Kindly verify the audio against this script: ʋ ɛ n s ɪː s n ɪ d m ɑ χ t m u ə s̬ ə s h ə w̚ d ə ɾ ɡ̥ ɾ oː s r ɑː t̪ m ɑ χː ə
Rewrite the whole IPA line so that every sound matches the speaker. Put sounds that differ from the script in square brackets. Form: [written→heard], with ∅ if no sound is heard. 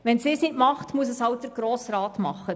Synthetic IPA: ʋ ɛ n s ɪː s n ɪ [d→t] m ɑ χ t m u ə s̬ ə s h [ə→ɑ] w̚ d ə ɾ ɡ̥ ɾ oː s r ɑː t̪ m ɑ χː ə